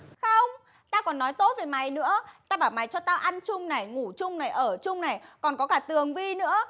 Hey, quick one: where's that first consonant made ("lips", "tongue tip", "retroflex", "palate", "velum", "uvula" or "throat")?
velum